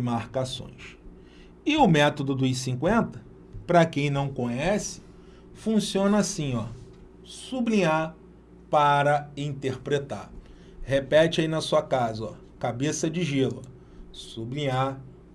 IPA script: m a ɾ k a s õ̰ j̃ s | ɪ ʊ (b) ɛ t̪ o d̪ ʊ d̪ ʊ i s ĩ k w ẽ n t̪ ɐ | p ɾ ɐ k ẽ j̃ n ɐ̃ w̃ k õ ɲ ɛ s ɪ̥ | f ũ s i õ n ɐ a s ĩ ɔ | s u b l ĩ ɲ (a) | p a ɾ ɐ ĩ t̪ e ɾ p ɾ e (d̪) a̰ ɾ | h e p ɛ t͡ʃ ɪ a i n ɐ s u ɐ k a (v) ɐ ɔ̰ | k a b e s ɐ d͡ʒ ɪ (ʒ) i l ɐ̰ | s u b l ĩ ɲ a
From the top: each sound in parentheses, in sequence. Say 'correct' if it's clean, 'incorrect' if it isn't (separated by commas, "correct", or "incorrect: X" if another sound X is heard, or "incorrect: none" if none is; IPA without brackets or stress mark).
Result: incorrect: m, correct, incorrect: t̪, incorrect: z, correct